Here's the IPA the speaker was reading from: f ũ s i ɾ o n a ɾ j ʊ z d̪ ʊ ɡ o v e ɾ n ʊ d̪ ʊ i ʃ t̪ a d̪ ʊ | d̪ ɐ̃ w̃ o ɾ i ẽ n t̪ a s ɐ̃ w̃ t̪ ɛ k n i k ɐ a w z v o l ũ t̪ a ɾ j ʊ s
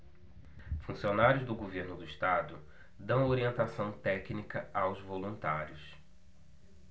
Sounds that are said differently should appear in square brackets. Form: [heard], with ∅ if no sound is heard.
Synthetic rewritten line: f ũ s i [∅] o n a ɾ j ʊ z d̪ ʊ ɡ o v e ɾ n ʊ d̪ ʊ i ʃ t̪ a d̪ ʊ | d̪ ɐ̃ w̃ o ɾ i ẽ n t̪ a s ɐ̃ w̃ t̪ ɛ k n i k ɐ a w z v o l ũ t̪ a ɾ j ʊ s

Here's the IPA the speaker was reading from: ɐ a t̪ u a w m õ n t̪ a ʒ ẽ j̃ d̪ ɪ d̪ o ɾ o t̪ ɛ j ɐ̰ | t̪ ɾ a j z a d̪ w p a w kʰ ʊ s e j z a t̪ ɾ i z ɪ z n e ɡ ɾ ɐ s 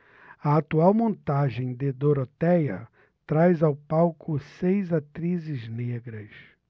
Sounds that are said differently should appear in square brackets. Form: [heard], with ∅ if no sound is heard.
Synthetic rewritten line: ɐ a t̪ u a w m õ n t̪ a ʒ ẽ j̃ d̪ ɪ d̪ o ɾ o t̪ ɛ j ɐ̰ | t̪ ɾ a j z a [∅] w p a w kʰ ʊ s e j z a t̪ ɾ i z ɪ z n e ɡ ɾ ɐ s

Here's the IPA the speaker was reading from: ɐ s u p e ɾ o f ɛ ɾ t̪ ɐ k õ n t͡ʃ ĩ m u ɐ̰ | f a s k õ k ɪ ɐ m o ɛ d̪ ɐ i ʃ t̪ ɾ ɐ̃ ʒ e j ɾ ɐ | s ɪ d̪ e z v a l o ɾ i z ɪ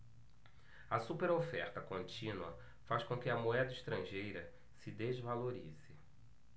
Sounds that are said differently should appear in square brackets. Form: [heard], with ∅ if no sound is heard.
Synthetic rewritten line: ɐ s u p e ɾ o f ɛ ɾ t̪ ɐ k õ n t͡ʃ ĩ [n] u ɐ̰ | f a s k õ k ɪ ɐ m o ɛ d̪ ɐ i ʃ t̪ ɾ ɐ̃ ʒ e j ɾ ɐ | s ɪ d̪ e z v a l o ɾ i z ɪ

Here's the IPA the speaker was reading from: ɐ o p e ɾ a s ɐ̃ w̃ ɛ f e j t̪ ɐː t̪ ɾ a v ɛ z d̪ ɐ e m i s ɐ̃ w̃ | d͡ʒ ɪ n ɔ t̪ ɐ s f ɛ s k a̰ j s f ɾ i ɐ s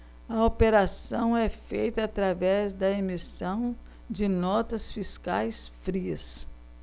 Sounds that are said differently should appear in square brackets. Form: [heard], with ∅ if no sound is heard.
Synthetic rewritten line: ɐ o p e ɾ a s ɐ̃ w̃ ɛ f e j t̪ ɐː t̪ ɾ a v ɛ z d̪ ɐ e m i s ɐ̃ w̃ | d͡ʒ ɪ n ɔ t̪ ɐ s f [i] s k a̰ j s f ɾ i ɐ s

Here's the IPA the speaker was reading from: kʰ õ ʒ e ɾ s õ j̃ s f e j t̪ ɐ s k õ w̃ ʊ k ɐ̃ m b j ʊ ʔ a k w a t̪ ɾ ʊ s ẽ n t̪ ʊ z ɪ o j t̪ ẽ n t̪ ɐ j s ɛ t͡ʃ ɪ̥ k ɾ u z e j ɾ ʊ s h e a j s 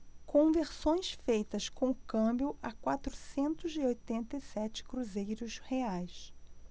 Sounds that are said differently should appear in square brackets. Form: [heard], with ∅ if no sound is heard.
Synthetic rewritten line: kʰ õ [v] e ɾ s õ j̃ s f e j t̪ ɐ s k õ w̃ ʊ k ɐ̃ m b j ʊ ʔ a k w a t̪ ɾ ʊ s ẽ n t̪ ʊ z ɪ o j t̪ ẽ n t̪ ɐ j s ɛ t͡ʃ ɪ̥ k ɾ u z e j ɾ ʊ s h e a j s

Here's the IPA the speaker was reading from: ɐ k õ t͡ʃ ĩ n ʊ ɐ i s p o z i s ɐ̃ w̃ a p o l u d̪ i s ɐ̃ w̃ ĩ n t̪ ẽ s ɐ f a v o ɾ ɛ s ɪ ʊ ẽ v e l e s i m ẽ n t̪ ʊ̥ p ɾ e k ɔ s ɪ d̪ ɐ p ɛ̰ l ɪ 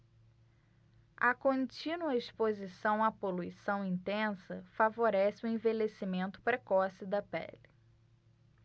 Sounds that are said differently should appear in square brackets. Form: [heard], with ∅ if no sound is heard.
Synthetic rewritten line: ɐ k õ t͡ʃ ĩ n [u] ɐ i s p o z i s ɐ̃ w̃ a p o l u [∅] i s ɐ̃ w̃ ĩ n t̪ ẽ s ɐ f a v o ɾ ɛ s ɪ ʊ ẽ v e l e s i m ẽ n t̪ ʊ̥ p ɾ e k ɔ s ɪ d̪ ɐ p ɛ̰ l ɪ

